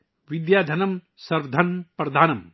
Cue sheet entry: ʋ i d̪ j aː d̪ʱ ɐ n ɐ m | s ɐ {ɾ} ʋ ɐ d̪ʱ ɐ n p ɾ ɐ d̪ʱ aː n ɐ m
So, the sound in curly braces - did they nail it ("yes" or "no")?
yes